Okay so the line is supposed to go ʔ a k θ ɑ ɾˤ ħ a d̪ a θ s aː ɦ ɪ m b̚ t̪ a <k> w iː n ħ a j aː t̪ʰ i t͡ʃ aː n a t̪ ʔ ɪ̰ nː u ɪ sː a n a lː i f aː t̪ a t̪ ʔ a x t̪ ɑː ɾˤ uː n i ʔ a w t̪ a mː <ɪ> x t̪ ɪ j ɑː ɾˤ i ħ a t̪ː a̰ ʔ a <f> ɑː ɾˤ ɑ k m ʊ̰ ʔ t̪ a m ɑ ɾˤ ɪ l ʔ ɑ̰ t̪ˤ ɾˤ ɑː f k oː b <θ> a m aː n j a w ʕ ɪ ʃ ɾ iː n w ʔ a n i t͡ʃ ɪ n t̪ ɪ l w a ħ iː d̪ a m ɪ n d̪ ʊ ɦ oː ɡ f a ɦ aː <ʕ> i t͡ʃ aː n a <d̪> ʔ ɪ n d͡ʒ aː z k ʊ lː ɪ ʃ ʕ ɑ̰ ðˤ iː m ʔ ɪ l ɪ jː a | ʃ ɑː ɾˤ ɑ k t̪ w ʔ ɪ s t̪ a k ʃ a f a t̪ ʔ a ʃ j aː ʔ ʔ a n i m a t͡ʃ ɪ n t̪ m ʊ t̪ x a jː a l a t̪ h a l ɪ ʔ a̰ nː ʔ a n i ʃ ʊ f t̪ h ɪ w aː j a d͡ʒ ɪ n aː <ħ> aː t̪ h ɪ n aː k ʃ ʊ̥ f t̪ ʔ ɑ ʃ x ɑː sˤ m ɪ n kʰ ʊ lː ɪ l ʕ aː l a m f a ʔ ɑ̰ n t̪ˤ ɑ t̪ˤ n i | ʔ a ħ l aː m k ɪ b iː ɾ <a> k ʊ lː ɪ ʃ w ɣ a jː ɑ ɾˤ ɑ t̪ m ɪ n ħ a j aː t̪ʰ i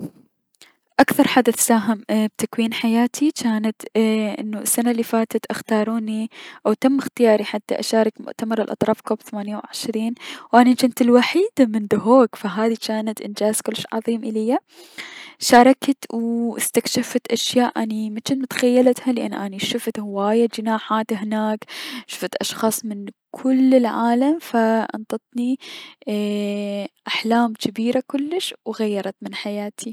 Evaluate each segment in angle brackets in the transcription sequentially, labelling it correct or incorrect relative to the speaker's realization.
correct, correct, incorrect: ʃ, correct, incorrect: ð, incorrect: t̪, correct, correct

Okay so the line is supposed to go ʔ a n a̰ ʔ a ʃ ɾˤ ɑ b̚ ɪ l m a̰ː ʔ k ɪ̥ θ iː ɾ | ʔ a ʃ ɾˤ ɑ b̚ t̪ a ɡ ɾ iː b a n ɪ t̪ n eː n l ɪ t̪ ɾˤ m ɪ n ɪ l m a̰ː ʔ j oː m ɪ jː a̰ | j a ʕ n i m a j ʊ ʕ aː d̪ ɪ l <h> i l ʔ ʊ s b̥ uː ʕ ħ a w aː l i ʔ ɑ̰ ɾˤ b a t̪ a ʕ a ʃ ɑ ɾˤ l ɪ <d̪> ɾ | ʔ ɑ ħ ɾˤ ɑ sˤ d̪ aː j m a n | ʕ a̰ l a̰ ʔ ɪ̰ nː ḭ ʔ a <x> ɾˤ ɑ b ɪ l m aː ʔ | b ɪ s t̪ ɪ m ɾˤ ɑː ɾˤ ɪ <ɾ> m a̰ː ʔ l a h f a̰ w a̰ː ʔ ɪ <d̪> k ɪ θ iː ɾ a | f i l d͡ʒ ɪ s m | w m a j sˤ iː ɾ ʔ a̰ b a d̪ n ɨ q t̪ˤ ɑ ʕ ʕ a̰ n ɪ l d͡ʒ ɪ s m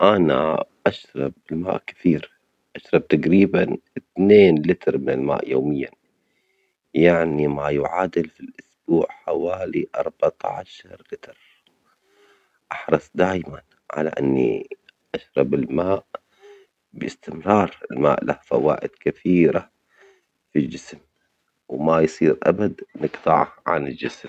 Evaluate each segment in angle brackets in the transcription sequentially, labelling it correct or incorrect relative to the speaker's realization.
incorrect: f, incorrect: t̪, incorrect: ʃ, incorrect: l, correct

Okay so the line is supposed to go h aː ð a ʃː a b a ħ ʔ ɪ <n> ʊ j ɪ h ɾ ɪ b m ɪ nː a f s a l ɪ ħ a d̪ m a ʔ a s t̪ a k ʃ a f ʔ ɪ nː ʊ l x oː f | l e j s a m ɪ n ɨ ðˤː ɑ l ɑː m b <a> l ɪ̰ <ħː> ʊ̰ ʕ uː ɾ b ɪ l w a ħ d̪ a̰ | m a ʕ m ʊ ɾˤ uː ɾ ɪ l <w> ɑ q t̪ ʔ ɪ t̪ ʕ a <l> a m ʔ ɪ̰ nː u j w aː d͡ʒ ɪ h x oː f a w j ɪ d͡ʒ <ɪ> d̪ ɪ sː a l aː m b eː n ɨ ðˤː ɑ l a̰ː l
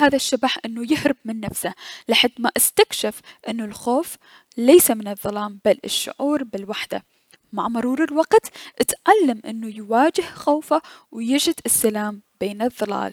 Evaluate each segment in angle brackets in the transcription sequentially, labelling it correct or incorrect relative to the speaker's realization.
incorrect: nː, correct, incorrect: ʃː, correct, incorrect: lː, correct

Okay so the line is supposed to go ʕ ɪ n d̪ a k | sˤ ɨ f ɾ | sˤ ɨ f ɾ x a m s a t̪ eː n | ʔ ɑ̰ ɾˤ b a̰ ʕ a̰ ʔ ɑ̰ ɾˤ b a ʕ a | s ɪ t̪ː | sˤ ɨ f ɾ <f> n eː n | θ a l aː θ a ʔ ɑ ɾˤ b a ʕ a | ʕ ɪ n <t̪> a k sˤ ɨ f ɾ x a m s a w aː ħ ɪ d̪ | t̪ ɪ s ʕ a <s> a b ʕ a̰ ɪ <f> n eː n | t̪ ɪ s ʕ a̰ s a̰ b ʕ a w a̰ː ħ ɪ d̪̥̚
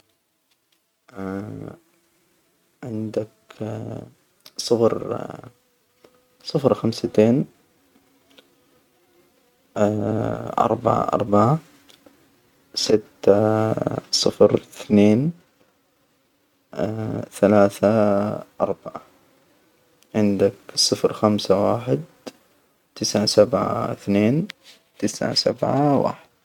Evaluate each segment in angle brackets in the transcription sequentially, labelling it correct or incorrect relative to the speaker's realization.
incorrect: θ, incorrect: d̪, correct, incorrect: θ

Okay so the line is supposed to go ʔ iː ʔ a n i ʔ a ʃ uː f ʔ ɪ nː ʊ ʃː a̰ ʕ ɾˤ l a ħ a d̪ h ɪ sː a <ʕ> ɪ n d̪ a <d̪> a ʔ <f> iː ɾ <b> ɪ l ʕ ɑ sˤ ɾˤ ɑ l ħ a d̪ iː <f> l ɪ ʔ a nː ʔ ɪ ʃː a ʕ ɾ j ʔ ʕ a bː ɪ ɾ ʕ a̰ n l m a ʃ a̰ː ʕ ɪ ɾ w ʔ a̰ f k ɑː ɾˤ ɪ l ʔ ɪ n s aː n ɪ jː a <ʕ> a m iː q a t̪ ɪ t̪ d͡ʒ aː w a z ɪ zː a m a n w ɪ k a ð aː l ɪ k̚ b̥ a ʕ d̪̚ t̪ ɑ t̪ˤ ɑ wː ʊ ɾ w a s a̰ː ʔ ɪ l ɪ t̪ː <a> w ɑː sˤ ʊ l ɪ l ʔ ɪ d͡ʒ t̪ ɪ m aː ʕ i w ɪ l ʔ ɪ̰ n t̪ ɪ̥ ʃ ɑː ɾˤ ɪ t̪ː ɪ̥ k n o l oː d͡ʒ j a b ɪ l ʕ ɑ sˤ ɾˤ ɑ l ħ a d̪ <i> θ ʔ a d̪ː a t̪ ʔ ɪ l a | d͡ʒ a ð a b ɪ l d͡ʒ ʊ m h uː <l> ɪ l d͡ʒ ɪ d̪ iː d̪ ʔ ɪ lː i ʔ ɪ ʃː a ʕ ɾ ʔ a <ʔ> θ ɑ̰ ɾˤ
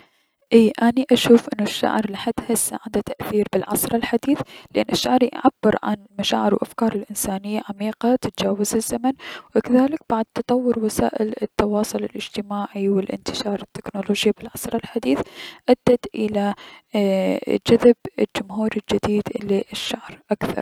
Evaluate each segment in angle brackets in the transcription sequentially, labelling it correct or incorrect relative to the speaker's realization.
correct, incorrect: t̪, incorrect: θ, correct, incorrect: θ, correct, incorrect: ɑ, incorrect: iː, incorrect: ɾ, incorrect: k

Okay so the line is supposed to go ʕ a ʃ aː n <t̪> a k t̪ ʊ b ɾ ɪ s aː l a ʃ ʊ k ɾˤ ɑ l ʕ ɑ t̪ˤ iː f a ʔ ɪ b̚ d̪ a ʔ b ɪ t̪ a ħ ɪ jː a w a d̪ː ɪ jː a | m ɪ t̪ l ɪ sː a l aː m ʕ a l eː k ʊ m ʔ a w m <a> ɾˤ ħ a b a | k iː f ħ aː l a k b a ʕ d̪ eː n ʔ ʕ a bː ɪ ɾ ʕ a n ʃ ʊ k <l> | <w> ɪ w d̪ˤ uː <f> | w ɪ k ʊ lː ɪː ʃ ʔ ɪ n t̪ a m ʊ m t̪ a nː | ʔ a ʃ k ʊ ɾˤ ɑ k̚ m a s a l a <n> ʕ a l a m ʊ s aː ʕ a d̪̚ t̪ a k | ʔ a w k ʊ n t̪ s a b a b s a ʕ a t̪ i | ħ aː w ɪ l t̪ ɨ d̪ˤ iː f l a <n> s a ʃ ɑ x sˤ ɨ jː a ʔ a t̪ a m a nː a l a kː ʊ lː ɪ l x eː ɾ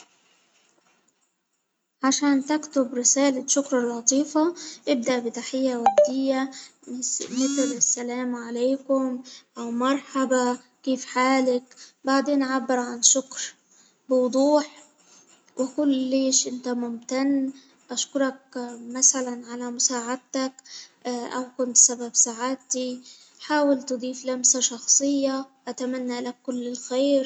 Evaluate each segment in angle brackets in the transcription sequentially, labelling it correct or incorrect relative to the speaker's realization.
correct, incorrect: ɑ, incorrect: ɾ, incorrect: b, incorrect: ħ, correct, incorrect: m

